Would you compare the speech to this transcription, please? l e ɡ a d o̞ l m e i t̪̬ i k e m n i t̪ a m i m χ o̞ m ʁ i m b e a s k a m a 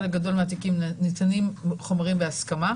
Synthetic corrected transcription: l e ɡ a d o̞ l m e a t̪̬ i k i m n i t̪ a n i m χ o̞ m ʁ i m b e a s k a m a